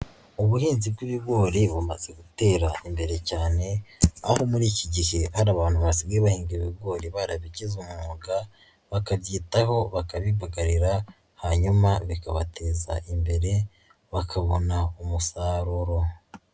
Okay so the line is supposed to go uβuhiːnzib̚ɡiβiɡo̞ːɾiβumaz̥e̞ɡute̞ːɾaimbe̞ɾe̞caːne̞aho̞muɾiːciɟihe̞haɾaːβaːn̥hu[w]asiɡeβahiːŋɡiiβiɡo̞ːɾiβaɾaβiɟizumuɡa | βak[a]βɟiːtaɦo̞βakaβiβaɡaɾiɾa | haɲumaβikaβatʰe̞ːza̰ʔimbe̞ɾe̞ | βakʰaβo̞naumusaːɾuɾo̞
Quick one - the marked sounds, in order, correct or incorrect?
incorrect: β, correct

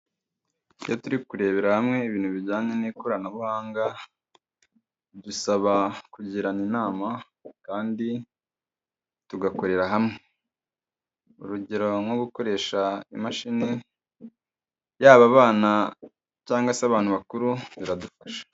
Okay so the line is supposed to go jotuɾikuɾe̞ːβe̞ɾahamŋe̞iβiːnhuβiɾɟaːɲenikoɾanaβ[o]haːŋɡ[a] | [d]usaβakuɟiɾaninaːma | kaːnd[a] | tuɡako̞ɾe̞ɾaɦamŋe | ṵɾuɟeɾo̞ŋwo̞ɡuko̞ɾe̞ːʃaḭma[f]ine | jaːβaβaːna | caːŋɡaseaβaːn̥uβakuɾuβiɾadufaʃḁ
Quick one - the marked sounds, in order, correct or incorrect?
incorrect: u, correct, correct, incorrect: i, incorrect: ʃ

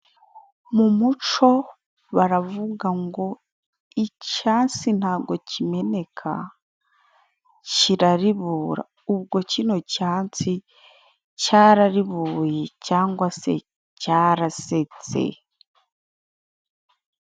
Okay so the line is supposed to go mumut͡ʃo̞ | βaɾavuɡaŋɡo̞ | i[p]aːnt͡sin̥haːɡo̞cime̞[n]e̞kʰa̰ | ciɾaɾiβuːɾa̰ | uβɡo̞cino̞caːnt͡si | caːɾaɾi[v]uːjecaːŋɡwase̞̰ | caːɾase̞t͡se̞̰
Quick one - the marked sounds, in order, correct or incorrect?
incorrect: c, correct, incorrect: β

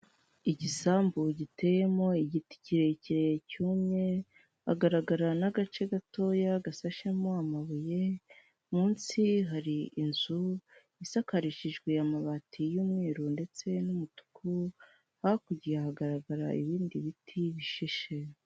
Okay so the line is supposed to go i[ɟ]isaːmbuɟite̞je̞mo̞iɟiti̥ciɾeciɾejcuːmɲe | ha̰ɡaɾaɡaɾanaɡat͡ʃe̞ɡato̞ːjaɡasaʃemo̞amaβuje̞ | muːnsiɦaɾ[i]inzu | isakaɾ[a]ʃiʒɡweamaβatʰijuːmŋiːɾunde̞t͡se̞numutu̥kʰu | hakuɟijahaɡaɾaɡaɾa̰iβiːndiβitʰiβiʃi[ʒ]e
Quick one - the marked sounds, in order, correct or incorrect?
correct, correct, incorrect: i, incorrect: ʃ

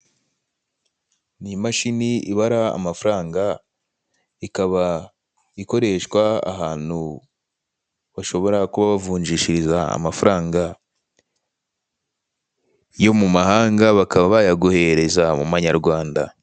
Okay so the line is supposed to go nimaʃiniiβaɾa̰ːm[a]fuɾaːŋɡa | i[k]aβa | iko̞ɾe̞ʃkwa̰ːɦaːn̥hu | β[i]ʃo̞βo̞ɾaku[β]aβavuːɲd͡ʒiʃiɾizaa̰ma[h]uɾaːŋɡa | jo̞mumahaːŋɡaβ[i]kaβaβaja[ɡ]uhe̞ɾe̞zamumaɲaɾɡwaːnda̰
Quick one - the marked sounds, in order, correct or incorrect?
correct, correct, incorrect: a, correct, incorrect: f, incorrect: a, correct

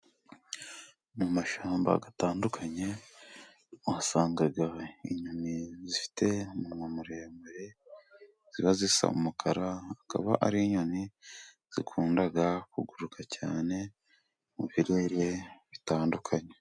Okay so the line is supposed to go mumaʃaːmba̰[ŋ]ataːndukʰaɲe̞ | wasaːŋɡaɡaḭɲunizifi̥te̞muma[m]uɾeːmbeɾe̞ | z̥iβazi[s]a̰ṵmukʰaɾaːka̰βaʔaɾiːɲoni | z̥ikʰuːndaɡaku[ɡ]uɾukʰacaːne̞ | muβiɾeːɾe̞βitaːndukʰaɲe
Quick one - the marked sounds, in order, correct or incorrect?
incorrect: ɡ, correct, correct, correct

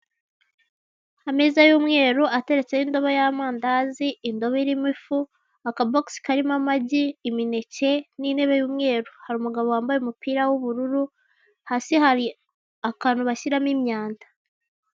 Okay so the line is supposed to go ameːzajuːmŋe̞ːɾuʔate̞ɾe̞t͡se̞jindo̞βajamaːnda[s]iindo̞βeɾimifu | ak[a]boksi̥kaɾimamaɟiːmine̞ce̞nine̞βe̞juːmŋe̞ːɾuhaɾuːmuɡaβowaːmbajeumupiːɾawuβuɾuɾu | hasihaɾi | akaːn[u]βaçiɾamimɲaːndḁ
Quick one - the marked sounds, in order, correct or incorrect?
incorrect: z, correct, correct

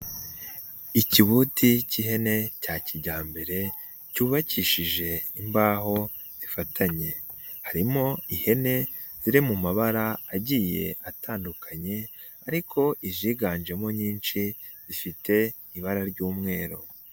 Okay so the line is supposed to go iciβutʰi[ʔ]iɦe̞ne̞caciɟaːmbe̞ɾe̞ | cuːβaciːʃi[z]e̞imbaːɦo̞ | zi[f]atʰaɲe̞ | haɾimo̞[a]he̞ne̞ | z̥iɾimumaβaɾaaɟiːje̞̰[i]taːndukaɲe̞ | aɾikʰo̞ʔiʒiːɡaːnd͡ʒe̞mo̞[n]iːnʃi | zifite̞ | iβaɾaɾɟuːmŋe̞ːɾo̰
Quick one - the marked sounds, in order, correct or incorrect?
incorrect: c, incorrect: ʒ, correct, incorrect: i, incorrect: a, incorrect: ɲ

